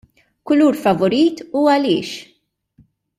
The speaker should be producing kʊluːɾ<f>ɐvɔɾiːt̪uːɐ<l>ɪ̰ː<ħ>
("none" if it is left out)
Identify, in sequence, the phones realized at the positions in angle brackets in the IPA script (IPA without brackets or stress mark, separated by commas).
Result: f, l, ʃ